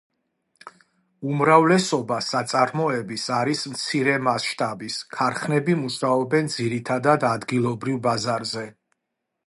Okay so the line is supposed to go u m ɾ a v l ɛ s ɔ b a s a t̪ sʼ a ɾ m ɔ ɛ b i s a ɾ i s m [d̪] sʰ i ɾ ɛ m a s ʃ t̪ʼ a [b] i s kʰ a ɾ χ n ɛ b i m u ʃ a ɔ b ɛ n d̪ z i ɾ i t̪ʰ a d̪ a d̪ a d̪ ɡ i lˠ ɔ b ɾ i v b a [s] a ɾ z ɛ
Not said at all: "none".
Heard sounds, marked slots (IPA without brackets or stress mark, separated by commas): t̪, b, z